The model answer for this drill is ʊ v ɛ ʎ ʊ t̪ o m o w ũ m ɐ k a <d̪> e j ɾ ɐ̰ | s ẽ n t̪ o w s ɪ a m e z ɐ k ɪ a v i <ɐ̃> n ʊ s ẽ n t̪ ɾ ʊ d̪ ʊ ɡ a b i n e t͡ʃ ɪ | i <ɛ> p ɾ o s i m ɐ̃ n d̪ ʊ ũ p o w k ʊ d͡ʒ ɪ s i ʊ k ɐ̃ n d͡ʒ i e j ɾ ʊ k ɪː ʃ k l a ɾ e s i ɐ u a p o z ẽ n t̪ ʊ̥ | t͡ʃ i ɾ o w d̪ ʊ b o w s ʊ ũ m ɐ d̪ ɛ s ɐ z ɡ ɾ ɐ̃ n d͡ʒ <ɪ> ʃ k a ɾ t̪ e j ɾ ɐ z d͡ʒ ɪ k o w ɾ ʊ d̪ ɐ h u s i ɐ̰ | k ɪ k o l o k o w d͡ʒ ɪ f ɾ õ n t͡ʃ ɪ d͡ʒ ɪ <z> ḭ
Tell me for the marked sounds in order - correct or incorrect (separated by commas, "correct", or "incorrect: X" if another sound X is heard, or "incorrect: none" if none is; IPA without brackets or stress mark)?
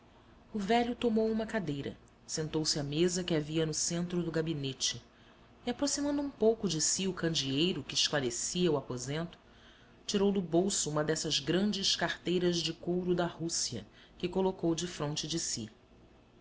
correct, incorrect: ɐ, incorrect: a, correct, incorrect: s